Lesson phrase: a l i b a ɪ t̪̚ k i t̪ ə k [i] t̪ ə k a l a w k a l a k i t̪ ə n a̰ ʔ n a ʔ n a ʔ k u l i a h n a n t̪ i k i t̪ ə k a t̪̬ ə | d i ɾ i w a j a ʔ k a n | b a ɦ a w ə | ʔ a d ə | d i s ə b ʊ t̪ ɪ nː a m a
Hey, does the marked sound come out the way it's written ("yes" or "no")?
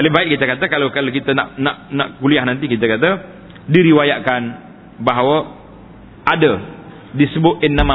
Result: no